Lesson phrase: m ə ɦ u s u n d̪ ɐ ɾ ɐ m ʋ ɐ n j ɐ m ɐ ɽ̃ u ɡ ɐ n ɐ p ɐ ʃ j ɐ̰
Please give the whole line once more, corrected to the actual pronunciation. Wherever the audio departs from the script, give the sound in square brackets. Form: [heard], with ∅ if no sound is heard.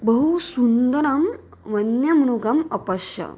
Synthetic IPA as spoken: [b] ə ɦ u s u n d̪ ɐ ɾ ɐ m ʋ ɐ n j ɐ m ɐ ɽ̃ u ɡ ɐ [m] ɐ p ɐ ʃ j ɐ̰